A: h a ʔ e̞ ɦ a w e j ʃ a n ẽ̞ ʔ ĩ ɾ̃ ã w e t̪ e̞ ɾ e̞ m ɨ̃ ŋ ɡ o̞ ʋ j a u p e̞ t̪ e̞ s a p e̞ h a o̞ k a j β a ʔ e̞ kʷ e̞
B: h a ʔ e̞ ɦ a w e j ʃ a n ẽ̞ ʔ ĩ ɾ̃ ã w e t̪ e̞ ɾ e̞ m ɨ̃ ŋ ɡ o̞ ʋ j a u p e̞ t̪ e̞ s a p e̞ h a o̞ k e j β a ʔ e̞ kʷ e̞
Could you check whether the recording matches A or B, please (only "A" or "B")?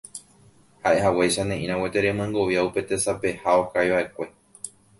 A